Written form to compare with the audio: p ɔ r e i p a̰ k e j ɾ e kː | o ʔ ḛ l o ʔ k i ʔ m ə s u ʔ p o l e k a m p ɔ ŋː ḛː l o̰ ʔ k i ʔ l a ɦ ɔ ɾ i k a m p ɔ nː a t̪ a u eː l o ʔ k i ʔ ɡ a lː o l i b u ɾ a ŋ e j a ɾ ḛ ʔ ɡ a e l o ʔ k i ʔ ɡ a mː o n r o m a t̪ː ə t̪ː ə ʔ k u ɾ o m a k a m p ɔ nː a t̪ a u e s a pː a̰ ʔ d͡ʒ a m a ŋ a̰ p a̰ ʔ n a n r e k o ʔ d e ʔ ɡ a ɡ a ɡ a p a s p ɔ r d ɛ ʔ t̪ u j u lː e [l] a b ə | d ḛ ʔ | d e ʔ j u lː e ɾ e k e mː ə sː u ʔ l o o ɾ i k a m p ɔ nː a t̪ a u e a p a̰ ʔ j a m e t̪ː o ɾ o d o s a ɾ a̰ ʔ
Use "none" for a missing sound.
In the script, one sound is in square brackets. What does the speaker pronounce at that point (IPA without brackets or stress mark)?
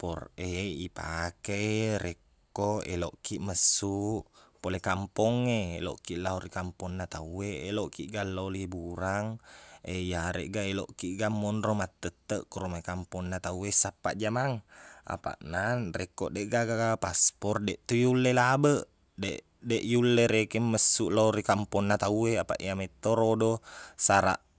l